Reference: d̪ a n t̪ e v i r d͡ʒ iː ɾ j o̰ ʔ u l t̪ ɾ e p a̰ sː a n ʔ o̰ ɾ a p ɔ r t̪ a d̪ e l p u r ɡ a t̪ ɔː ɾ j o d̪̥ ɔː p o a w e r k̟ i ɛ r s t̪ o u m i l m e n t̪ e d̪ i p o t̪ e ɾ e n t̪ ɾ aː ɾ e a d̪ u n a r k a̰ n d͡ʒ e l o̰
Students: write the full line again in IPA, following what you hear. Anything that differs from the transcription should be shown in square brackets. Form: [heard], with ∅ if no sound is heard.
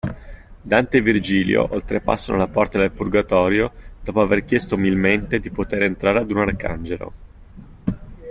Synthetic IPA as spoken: d̪ a n t̪ e v i r d͡ʒ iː [l] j o̰ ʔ [o] l t̪ ɾ e p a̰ sː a n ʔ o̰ [l] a p ɔ r t̪ a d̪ e l p u r ɡ a t̪ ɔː ɾ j o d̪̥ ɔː p o a [v] e r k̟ [j] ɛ [∅] s t̪ o u m i l m e n t̪ e d̪ i p o t̪ e ɾ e n t̪ ɾ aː ɾ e a d̪ u n a r k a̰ n d͡ʒ e l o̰